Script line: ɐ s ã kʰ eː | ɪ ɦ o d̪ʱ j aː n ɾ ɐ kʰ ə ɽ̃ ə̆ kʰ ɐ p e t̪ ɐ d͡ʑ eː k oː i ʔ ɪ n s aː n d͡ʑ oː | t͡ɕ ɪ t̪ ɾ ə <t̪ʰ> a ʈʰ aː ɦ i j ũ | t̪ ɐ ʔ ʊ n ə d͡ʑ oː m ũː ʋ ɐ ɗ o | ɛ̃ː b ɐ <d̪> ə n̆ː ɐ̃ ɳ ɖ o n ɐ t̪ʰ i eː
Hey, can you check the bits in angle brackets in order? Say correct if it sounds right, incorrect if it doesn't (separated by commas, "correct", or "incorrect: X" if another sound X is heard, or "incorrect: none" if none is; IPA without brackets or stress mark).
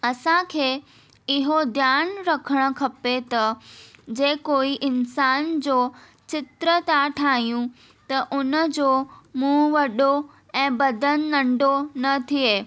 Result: incorrect: t̪, correct